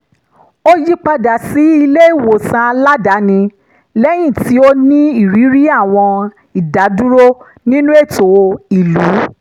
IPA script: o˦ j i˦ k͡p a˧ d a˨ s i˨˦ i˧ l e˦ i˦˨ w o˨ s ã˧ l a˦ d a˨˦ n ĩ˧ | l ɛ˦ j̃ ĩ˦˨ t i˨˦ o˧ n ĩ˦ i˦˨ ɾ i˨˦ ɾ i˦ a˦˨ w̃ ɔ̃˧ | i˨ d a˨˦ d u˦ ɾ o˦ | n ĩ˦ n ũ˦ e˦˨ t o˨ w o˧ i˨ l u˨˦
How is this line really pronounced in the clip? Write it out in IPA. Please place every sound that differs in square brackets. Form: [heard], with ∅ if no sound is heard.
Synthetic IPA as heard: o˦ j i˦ k͡p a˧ d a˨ s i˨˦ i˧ l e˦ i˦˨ w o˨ s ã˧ l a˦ d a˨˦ n ĩ˧ | l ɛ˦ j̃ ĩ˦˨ t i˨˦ o˧ n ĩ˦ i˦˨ ɾ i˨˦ ɾ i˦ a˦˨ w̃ ɔ̃˧ | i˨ d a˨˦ d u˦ ɾ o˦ | n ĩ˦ n ũ˦ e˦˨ t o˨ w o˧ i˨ l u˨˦